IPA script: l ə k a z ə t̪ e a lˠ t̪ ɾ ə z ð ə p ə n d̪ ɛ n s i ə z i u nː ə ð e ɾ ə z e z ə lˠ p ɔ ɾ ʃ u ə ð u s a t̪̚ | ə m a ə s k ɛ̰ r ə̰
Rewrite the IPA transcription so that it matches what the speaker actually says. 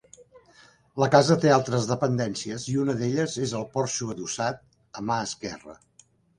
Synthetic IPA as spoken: l ə k a z ə t̪ e a lˠ t̪ ɾ ə z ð ə p ə n d̪ ɛ n s i ə z i u n ə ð e ʎ ə z e z ə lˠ p ɔ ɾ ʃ u ə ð u s a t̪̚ | ə m a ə s k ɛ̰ r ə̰